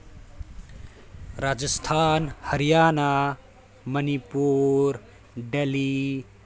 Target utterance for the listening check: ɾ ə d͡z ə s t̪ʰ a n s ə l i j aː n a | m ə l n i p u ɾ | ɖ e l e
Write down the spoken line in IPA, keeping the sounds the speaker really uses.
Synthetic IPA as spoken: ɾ a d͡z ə s t̪ʰ a n h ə ɾ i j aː n a | m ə n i p u ɾ | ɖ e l i